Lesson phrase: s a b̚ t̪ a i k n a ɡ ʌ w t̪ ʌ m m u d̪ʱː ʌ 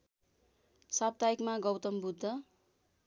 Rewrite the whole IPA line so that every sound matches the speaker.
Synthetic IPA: s a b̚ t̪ a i k m a ɡ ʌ w t̪ ʌ m b u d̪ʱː ʌ